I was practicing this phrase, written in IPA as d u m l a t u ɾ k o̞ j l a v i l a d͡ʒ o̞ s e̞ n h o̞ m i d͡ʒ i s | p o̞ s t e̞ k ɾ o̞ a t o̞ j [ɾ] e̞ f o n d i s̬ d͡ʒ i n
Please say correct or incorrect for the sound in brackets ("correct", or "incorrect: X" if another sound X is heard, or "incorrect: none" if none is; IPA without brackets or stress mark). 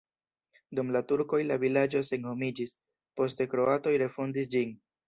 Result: correct